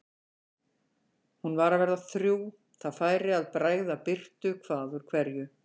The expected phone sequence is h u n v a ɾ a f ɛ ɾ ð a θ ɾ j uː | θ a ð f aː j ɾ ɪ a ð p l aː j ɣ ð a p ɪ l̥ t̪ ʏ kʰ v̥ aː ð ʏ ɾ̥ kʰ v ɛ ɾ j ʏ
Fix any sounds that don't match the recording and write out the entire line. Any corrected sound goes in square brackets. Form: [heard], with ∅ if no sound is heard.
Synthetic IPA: h u n v a ɾ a [v] ɛ ɾ ð a θ ɾ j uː | θ a ð f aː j ɾ ɪ a ð p [ɾ] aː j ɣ ð a p ɪ [r̥] t̪ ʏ kʰ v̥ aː ð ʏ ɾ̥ kʰ v ɛ ɾ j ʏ